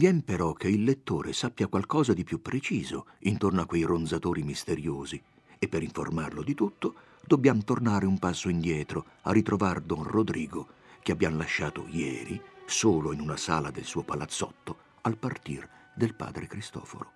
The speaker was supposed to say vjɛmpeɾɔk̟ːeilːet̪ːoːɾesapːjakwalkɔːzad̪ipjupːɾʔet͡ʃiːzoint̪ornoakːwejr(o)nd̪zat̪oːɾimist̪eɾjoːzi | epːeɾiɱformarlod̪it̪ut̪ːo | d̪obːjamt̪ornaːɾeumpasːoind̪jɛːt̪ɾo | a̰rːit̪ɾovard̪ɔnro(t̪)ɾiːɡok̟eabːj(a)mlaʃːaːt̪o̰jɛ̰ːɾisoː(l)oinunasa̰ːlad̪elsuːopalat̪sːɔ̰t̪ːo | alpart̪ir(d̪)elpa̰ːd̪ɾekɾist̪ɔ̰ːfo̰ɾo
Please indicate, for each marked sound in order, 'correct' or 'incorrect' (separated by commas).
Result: correct, incorrect, correct, correct, correct